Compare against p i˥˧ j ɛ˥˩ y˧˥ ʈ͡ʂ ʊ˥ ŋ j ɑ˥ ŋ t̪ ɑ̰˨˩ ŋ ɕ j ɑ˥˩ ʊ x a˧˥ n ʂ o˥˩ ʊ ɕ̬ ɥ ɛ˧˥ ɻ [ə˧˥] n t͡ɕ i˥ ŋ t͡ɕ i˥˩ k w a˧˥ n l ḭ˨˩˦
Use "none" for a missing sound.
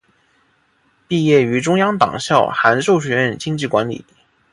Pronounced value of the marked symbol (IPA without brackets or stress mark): ə˥˩